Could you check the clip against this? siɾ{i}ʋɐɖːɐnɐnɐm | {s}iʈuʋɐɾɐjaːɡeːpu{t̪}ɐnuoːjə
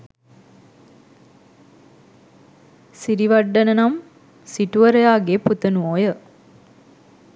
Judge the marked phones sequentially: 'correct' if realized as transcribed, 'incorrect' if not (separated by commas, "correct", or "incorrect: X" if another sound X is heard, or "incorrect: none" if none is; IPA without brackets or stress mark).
correct, correct, correct